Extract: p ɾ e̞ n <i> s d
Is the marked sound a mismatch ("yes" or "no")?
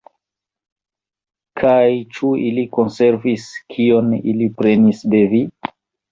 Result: no